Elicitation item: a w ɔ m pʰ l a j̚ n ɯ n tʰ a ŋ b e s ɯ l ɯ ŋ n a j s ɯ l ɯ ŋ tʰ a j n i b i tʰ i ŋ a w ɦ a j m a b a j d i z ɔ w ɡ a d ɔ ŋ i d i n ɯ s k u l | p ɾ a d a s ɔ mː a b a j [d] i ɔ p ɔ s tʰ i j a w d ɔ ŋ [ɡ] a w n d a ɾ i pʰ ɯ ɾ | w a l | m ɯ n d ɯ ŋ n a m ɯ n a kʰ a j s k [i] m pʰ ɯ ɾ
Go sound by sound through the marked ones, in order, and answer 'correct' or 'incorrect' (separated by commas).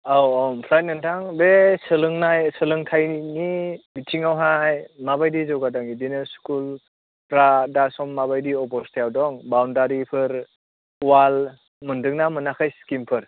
correct, incorrect, correct